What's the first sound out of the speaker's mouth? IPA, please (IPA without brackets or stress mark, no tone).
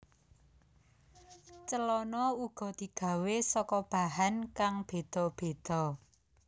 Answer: t͡ʃ